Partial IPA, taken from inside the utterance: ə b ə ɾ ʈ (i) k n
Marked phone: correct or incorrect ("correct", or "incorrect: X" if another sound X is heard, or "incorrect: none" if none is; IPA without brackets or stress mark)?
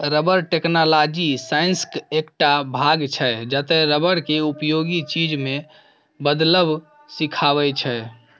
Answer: incorrect: e